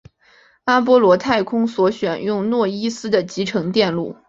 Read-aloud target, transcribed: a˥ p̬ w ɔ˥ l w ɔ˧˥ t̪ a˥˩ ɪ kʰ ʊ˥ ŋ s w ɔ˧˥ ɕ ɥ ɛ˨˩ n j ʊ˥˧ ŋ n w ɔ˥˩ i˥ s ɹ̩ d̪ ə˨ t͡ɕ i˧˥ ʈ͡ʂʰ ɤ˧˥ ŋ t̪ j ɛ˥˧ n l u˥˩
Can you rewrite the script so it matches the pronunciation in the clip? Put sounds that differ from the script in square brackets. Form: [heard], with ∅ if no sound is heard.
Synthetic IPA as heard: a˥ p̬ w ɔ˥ l w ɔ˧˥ [t̪ʰ] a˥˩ ɪ kʰ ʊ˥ ŋ s w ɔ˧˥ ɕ ɥ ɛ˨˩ n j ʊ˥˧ ŋ n w ɔ˥˩ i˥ s ɹ̩ d̪ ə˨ t͡ɕ i˧˥ ʈ͡ʂʰ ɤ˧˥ ŋ t̪ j ɛ˥˧ n l u˥˩